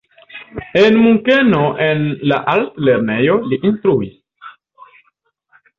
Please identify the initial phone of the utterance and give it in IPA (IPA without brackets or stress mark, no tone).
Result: e